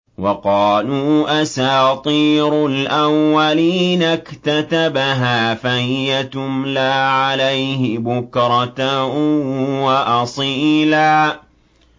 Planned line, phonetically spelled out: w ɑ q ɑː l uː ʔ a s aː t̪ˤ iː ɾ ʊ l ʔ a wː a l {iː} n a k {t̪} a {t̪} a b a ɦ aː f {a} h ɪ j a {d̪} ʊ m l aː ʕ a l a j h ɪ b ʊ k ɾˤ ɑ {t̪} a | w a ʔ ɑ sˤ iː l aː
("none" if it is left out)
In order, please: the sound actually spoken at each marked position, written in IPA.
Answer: iː, t̪, t̪, a, t̪, t̪

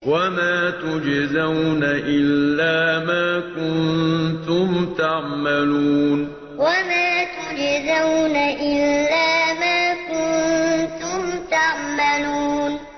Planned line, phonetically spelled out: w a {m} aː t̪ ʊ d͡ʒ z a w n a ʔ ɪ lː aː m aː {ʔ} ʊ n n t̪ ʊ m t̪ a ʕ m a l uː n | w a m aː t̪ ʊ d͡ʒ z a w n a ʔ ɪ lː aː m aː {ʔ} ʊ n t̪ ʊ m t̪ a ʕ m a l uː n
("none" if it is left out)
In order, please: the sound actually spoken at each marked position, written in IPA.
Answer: m, k, k

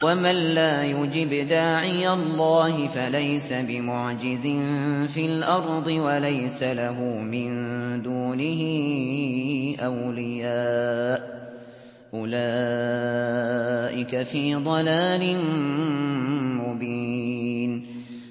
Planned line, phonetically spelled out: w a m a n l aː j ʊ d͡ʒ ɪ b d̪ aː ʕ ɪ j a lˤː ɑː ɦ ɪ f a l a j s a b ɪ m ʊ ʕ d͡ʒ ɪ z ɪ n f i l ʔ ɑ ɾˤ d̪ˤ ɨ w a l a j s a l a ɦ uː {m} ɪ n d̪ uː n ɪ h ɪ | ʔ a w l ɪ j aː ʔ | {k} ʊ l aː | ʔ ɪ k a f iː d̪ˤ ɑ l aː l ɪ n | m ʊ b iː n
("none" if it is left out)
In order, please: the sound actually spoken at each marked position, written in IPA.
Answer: m, ʔ

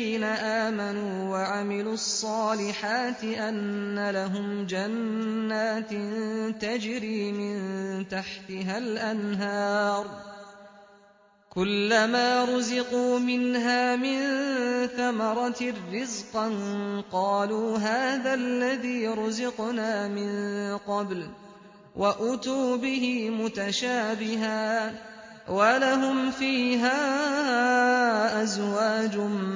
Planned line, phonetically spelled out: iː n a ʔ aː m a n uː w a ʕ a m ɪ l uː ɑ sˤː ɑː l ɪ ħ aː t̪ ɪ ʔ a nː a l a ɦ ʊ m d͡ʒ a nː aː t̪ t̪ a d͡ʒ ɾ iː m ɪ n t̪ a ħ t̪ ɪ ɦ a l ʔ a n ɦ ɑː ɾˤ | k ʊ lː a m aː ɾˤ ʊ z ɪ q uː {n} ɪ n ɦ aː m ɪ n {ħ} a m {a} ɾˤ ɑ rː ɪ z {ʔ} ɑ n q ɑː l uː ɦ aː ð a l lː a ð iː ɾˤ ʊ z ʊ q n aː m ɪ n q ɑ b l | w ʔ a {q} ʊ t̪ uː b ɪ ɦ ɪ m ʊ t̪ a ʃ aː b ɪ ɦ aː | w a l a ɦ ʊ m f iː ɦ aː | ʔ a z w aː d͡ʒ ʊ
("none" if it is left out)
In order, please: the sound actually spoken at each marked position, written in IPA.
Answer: m, θ, ɑ, q, ʔ

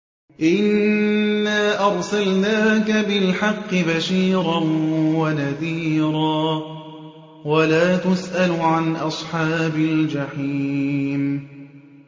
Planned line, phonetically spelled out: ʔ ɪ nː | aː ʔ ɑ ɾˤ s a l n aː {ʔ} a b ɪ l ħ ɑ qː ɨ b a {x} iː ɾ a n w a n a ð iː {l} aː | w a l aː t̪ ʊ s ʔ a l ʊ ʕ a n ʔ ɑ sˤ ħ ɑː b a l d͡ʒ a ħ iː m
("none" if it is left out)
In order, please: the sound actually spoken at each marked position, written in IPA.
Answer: k, ʃ, ɾ

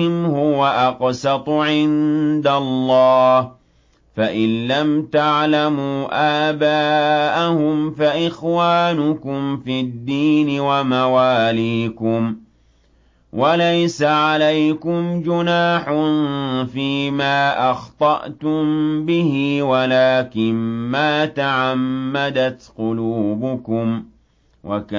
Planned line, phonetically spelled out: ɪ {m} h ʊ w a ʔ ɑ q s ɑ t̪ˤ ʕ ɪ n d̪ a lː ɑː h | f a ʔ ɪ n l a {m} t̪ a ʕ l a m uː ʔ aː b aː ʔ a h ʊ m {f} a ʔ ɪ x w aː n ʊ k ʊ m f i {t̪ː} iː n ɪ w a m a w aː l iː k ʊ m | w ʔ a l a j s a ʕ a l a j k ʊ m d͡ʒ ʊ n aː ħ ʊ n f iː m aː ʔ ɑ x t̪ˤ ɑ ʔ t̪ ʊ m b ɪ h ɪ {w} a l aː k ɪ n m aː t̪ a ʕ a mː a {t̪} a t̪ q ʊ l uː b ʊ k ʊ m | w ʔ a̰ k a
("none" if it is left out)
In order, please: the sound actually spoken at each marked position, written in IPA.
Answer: m, m, f, d̪ː, w, d̪

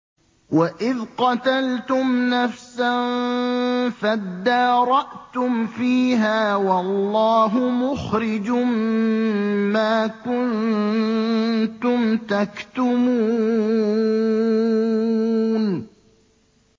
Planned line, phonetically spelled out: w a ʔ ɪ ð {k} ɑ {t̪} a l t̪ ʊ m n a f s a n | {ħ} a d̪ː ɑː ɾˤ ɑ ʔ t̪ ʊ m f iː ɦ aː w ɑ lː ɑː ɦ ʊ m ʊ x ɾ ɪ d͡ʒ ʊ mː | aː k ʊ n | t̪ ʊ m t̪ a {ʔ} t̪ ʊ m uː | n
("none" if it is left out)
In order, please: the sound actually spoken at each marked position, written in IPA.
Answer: q, t̪, f, k

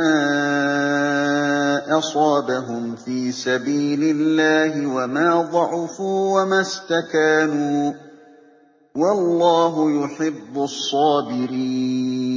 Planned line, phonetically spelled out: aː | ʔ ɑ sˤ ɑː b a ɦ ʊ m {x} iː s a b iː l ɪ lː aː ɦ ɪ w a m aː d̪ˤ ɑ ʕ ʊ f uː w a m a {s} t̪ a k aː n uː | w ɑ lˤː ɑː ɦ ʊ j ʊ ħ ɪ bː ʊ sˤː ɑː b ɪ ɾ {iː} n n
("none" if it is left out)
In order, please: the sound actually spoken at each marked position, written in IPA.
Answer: f, s, iː

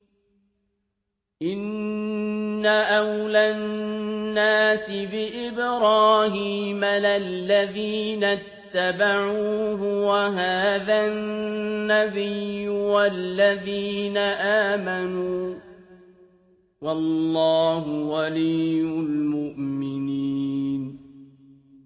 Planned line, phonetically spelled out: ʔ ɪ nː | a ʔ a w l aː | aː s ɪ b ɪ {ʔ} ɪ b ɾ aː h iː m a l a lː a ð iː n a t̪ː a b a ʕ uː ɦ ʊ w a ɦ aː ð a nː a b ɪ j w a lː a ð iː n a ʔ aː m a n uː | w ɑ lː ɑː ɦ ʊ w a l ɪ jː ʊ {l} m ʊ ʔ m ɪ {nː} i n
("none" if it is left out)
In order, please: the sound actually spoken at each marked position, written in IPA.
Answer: ʔ, l, n

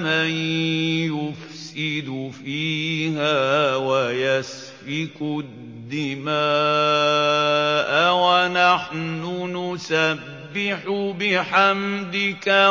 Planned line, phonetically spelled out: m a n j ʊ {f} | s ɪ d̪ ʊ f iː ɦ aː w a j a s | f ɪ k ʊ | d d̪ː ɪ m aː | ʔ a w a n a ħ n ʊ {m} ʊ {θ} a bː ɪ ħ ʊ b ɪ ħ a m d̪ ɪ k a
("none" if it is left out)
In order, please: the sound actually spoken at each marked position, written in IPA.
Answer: f, n, s

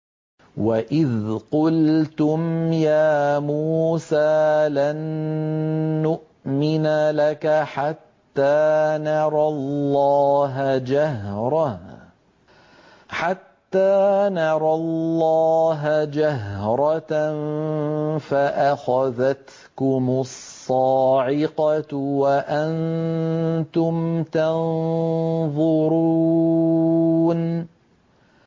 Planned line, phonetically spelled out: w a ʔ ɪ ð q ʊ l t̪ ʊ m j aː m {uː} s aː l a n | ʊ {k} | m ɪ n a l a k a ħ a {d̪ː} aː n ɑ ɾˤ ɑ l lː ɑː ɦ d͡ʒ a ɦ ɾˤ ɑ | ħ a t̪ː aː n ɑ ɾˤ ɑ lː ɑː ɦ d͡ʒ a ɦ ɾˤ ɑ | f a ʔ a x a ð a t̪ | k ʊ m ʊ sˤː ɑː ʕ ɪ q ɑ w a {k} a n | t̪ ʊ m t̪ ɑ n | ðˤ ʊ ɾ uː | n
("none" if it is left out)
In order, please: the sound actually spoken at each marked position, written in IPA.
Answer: uː, ʔ, t̪ː, ʔ

